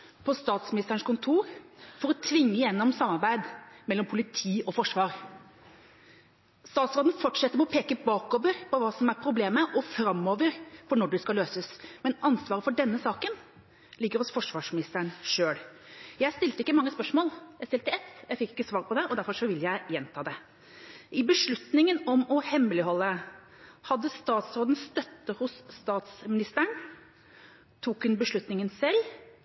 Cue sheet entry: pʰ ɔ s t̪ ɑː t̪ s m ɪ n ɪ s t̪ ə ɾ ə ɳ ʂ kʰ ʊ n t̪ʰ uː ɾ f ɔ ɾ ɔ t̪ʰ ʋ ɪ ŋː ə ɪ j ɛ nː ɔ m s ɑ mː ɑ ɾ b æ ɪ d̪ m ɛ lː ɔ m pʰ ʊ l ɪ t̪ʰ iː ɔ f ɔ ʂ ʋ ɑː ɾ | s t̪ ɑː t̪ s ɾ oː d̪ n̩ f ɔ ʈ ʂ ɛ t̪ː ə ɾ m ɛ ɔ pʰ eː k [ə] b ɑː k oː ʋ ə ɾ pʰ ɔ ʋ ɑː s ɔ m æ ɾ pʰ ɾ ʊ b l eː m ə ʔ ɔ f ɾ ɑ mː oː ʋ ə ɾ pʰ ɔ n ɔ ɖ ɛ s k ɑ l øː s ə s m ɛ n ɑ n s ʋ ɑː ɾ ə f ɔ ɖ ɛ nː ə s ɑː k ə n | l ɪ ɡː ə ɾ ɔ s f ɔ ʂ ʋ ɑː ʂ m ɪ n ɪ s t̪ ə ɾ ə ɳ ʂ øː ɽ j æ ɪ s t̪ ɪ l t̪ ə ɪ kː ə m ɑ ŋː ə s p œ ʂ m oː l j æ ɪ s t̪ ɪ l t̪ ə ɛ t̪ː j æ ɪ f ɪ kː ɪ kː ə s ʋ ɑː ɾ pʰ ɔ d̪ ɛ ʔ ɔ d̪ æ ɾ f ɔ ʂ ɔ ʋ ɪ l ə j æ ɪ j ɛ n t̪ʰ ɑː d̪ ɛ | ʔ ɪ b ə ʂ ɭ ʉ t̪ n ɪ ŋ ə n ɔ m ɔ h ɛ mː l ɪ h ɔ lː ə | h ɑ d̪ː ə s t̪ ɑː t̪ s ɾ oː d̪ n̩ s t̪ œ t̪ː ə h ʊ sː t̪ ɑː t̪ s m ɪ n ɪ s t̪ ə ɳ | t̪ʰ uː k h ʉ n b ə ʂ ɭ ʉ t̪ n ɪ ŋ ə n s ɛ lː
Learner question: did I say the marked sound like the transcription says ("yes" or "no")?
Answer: yes